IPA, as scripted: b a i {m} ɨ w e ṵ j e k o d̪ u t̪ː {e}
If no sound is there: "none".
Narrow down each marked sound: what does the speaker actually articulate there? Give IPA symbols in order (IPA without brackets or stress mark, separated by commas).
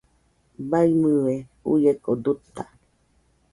m, a